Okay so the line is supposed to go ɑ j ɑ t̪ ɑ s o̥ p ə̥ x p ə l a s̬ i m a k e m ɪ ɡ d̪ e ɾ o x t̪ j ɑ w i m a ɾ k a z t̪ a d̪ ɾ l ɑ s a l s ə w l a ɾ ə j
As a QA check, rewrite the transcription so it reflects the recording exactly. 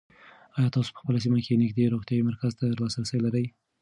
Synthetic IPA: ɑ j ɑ t̪ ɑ s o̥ p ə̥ x p ə l a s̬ i m a k e n ɪ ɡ d̪ e ɾ o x t̪ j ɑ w i m a ɾ k a z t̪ a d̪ ɾ l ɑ s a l s ə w l a ɾ ə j